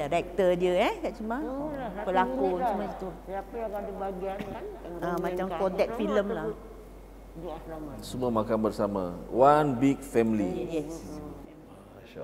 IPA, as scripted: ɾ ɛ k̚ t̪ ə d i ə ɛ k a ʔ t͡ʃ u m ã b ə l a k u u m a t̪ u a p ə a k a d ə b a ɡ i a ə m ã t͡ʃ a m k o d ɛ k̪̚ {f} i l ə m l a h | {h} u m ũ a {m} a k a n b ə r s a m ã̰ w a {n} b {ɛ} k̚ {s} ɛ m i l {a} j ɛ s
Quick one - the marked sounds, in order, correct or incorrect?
correct, incorrect, correct, correct, incorrect, incorrect, incorrect

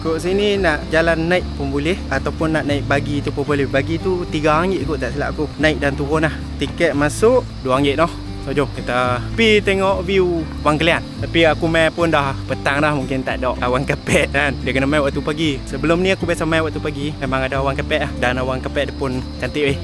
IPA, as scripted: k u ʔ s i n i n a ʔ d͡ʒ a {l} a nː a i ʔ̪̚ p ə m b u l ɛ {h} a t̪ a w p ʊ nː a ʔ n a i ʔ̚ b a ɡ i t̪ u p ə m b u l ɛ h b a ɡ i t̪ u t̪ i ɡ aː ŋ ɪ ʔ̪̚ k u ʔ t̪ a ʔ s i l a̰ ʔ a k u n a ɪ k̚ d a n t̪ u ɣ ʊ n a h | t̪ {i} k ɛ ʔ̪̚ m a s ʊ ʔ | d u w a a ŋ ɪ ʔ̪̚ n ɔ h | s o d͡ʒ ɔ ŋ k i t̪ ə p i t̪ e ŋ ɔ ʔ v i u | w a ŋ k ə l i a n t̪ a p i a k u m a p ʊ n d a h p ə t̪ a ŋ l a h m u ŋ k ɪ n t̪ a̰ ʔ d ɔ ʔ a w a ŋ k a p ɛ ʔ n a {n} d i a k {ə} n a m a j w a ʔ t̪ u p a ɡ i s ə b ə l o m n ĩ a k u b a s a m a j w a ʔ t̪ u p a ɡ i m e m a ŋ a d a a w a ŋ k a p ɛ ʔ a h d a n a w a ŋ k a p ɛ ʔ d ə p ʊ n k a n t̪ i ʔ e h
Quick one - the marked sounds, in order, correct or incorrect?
correct, correct, correct, correct, correct

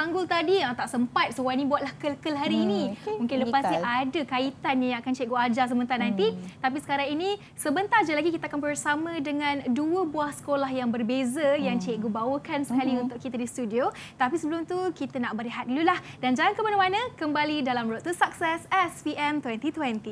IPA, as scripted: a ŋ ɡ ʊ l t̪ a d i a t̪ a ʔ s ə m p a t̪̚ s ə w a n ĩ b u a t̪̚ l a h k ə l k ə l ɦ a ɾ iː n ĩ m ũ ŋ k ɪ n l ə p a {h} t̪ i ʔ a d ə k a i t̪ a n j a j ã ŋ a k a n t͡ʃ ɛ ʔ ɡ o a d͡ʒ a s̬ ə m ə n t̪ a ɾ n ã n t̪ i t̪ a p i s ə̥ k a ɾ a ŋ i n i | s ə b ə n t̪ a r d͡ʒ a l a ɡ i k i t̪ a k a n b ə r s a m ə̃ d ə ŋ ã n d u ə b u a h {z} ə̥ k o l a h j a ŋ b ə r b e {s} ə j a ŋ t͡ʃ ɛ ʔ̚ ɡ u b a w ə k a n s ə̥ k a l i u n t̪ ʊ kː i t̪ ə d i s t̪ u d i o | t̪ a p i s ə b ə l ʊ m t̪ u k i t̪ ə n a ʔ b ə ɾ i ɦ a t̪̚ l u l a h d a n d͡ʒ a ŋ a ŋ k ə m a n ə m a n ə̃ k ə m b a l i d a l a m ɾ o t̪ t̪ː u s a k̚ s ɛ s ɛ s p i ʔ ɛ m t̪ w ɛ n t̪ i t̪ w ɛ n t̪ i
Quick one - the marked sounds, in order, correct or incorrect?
incorrect, incorrect, incorrect

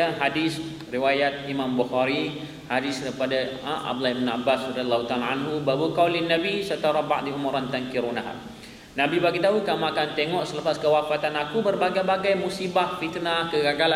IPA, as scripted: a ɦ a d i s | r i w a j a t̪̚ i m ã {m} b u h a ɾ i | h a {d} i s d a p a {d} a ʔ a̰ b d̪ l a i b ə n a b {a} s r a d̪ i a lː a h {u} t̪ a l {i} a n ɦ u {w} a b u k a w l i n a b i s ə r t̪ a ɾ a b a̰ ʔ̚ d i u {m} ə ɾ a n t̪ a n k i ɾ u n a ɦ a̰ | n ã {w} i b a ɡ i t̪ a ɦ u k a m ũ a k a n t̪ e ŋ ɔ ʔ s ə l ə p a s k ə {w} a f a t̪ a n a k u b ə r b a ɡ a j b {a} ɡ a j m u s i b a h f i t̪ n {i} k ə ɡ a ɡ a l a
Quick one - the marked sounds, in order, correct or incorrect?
correct, correct, correct, correct, correct, incorrect, incorrect, correct, incorrect, correct, correct, incorrect

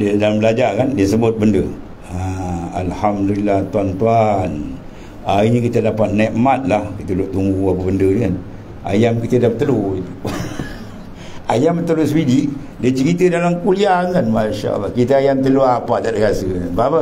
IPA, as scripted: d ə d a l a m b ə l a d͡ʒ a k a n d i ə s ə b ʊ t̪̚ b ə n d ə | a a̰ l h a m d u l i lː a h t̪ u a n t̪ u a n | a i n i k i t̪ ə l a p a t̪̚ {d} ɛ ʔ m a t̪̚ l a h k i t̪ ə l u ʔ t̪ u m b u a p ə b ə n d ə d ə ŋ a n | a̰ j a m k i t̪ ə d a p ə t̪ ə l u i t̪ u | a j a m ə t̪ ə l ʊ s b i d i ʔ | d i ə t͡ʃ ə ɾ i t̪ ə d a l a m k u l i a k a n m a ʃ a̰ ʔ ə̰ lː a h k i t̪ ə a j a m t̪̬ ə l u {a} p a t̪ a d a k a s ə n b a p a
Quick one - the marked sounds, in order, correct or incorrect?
incorrect, correct

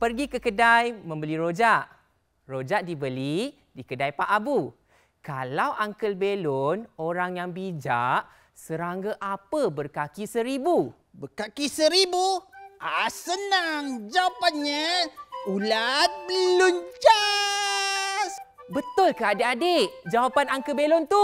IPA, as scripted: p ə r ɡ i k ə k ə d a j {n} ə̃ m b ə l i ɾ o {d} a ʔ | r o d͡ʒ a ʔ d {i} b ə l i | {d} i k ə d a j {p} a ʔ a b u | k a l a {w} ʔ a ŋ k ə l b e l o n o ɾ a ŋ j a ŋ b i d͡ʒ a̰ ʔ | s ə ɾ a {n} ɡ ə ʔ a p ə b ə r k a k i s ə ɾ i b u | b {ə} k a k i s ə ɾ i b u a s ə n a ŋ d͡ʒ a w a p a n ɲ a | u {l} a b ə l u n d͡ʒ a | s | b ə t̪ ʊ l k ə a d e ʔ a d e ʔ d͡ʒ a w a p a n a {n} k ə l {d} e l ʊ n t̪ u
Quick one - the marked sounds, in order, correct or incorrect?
incorrect, incorrect, correct, correct, correct, correct, incorrect, correct, correct, incorrect, incorrect

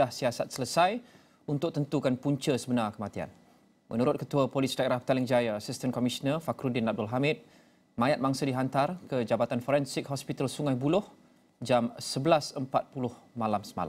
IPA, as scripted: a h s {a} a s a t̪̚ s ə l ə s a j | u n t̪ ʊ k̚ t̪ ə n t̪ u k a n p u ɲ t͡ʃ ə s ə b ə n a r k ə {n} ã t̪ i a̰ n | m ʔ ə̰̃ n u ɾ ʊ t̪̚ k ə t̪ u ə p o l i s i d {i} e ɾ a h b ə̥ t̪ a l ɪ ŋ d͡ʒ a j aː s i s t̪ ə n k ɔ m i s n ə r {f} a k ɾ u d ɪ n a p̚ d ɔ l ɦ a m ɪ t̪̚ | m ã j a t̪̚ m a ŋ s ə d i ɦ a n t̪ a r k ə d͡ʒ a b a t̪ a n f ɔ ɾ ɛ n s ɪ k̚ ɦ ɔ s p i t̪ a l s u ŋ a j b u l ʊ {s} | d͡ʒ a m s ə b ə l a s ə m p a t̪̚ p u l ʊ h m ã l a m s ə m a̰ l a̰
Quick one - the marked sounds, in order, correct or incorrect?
incorrect, incorrect, incorrect, correct, incorrect

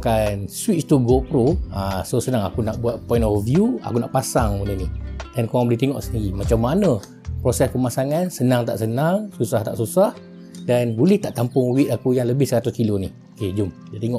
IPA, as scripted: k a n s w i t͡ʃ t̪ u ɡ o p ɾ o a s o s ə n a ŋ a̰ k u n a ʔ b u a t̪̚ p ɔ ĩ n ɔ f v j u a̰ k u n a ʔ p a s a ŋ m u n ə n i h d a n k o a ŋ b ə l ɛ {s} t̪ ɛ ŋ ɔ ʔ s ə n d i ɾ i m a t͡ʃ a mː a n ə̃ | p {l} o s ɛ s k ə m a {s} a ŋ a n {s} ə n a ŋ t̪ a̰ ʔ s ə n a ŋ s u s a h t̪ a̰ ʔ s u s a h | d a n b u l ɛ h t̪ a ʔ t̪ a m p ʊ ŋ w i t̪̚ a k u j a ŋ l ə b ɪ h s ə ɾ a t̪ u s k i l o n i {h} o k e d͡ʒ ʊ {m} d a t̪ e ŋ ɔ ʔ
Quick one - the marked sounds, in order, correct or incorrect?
incorrect, incorrect, correct, correct, correct, correct

